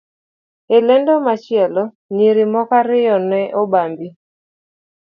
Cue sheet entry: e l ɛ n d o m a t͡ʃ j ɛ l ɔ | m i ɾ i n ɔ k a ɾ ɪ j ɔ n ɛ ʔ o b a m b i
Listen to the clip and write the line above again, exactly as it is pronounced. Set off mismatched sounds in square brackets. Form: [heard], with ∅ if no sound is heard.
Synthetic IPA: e l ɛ n d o m a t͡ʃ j ɛ l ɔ | [n] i ɾ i [m] ɔ k a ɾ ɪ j ɔ n ɛ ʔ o b a m b i